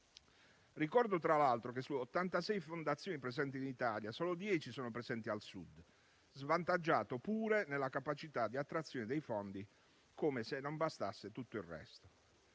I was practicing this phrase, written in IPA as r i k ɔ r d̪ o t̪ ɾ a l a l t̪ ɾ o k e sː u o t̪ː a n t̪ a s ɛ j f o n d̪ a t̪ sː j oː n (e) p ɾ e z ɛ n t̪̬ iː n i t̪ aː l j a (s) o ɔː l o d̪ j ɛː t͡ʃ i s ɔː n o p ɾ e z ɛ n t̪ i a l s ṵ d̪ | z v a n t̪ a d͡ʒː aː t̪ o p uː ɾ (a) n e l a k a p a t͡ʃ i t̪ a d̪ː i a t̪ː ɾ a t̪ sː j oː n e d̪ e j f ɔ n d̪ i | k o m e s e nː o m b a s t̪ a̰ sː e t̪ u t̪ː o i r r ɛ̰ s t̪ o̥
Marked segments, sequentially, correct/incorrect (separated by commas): incorrect, correct, incorrect